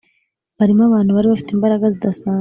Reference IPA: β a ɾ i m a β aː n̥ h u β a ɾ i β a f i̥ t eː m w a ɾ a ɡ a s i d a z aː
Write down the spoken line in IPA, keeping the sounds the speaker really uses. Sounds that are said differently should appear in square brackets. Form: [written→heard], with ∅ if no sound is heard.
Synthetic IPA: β a ɾ i m a β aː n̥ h u β a ɾ i β a f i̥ t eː m [w→b] a ɾ a ɡ a [s→z] i d a [z→s] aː